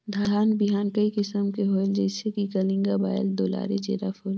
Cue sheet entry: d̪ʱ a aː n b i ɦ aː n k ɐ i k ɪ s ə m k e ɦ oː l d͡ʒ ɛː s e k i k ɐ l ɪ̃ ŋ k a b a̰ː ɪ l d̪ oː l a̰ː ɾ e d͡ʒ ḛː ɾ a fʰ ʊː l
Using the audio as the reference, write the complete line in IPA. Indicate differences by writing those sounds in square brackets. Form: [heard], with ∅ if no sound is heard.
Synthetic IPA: d̪ʱ a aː n b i ɦ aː n k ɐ i k ɪ s ə m k e ɦ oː l d͡ʒ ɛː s e k i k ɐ l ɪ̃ ŋ [ɡ] a b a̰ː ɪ l d̪ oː l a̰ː ɾ e d͡ʒ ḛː ɾ a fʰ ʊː l